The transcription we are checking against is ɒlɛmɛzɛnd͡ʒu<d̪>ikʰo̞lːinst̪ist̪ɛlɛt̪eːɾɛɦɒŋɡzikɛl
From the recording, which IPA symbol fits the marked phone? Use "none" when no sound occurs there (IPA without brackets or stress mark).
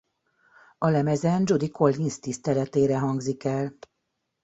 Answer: d̪